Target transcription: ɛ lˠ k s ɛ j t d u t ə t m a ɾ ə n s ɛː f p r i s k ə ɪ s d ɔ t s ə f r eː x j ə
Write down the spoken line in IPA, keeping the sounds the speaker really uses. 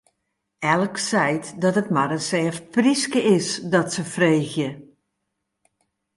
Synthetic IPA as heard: ɛ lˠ k s ɛ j t d ɔ t ə t m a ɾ ə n s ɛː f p r i s k ə ɪ s d ɔ t s ə f r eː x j ə